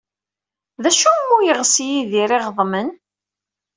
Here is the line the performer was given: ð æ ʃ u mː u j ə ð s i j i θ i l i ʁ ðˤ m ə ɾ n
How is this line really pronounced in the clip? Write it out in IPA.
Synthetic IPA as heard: ð æ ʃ u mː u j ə ʁ s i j i ð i ɾ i ʁ ðˤ m ə n